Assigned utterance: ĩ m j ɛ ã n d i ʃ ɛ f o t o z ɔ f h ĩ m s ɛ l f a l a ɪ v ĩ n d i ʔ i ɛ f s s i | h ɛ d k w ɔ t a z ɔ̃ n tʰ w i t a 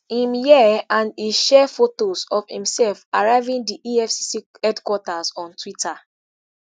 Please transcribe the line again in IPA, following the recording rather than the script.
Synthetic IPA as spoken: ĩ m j ɛ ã n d i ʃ ɛ f o t o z ɔ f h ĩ m s ɛ l f a ɹ a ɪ v ĩ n d i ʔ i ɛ f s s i | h ɛ d k w ɔ t a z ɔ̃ n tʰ w i t a